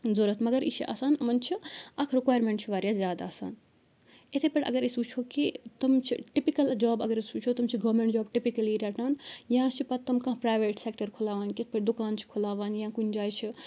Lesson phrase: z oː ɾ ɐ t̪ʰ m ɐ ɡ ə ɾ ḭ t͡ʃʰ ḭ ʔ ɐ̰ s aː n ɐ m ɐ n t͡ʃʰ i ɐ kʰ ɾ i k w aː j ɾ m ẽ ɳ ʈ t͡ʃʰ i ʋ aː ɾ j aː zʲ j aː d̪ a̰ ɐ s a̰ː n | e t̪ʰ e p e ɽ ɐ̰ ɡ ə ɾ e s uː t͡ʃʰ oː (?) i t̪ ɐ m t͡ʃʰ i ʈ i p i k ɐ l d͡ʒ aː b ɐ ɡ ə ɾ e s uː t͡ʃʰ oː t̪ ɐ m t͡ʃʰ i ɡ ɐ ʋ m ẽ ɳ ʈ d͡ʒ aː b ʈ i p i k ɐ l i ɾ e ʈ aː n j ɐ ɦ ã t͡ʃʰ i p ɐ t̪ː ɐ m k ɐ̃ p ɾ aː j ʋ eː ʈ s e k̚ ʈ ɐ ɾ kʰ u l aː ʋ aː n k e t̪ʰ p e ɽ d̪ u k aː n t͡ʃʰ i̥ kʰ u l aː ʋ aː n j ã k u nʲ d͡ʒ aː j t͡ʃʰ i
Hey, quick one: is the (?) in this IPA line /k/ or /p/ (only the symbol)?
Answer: k